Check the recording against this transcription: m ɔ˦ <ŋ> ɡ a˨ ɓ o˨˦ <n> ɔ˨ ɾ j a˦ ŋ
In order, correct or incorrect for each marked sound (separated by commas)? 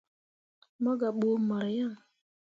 incorrect, incorrect